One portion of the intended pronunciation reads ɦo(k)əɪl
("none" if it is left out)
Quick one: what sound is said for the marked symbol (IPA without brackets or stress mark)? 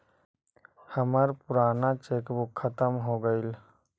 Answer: ɡ